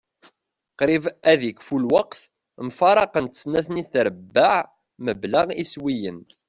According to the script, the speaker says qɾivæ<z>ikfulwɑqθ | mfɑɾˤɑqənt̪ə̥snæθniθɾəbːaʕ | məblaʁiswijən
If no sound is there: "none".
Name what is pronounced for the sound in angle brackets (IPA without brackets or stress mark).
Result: ð